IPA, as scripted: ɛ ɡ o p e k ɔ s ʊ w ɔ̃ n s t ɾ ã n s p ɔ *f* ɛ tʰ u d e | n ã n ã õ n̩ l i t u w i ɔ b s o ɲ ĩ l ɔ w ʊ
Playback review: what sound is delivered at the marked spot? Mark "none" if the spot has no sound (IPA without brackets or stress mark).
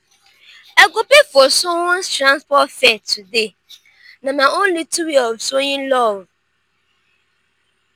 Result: f